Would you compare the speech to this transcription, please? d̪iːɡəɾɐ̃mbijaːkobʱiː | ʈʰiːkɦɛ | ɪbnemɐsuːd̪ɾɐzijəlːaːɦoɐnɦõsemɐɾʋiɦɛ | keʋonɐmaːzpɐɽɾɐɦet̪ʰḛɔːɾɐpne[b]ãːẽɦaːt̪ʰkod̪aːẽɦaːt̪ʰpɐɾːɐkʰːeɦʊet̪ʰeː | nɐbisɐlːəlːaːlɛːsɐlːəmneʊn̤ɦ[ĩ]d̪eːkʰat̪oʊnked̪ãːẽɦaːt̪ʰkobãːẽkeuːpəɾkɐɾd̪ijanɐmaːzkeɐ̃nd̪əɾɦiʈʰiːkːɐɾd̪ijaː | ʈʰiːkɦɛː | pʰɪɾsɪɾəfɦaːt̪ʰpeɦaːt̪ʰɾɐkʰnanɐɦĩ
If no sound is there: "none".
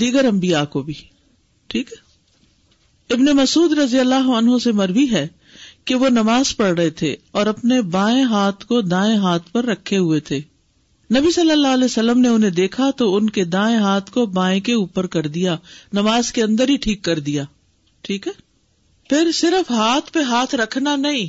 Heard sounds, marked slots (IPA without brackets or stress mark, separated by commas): b, ẽ